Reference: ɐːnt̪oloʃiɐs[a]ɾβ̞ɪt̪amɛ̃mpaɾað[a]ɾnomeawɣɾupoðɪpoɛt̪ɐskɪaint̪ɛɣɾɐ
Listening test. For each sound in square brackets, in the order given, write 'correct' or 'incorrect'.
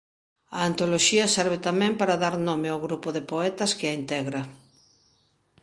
incorrect, correct

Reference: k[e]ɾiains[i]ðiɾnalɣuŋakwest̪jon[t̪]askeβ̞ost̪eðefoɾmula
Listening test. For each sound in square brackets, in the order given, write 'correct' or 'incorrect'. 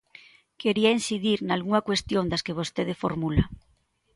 correct, correct, incorrect

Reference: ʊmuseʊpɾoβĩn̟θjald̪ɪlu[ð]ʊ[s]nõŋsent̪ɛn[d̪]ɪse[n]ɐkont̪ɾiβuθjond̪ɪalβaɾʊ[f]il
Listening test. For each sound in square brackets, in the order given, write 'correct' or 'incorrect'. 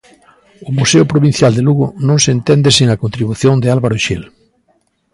incorrect, incorrect, correct, incorrect, incorrect

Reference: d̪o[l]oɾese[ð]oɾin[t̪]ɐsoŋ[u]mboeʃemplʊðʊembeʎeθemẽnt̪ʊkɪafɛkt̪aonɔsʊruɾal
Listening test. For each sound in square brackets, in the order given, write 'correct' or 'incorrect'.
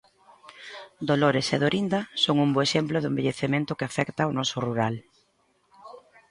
correct, correct, incorrect, correct

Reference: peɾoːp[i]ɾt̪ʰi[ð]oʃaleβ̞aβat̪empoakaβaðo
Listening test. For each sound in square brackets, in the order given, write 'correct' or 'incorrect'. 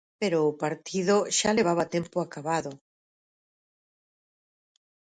incorrect, correct

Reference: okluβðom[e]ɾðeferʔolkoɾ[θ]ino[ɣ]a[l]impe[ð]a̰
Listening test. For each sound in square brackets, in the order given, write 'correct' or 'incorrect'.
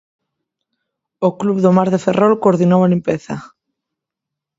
incorrect, incorrect, incorrect, correct, incorrect

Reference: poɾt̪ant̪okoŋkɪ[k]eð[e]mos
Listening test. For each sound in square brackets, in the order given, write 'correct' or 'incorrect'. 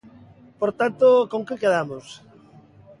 correct, incorrect

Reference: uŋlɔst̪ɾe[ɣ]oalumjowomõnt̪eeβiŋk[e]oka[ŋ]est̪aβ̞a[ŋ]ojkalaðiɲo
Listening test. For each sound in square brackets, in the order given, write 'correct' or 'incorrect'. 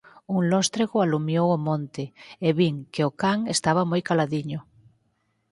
correct, correct, correct, incorrect

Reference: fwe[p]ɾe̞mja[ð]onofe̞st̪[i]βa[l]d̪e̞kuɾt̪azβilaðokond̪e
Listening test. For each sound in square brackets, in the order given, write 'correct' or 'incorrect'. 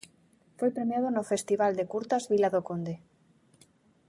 correct, correct, correct, correct

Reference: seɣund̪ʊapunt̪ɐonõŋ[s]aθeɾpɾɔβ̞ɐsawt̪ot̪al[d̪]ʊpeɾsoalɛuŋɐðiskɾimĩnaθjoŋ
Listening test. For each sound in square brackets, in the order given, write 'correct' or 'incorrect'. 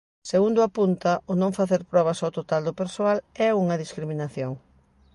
incorrect, correct

